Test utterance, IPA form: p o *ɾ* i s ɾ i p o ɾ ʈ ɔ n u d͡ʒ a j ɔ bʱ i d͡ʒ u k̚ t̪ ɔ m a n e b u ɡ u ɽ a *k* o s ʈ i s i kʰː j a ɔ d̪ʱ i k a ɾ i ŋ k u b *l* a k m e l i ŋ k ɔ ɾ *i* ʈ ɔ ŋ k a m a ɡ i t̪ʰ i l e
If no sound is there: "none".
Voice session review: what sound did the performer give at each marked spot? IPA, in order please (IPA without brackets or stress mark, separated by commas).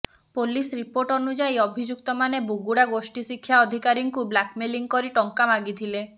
l, ɡ, l, i